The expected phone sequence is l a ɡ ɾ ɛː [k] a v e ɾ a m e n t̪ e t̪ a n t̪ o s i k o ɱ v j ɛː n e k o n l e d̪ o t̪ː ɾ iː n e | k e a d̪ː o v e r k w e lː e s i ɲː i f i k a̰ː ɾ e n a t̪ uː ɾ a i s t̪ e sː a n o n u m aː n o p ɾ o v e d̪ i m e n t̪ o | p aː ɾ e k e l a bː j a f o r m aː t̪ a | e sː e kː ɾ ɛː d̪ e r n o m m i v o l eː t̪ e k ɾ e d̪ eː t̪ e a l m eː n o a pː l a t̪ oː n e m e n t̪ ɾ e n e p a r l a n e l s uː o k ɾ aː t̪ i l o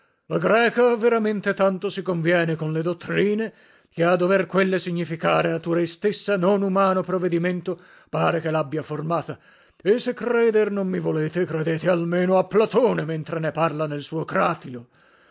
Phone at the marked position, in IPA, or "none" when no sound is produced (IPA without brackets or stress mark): k